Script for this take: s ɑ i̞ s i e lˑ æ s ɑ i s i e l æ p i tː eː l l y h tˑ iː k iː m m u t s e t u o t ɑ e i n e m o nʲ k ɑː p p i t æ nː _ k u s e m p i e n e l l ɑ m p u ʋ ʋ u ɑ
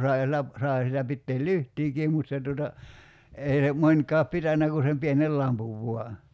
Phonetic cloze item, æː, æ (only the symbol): æ